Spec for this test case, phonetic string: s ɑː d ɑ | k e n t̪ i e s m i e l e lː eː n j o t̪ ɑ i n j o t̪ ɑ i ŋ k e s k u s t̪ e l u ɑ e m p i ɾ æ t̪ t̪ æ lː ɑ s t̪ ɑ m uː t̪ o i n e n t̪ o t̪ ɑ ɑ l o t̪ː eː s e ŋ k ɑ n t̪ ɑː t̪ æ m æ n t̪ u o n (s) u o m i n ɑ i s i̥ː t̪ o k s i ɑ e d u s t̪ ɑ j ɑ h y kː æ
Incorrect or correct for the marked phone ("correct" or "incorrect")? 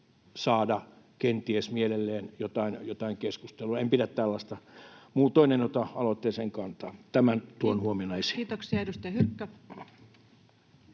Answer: incorrect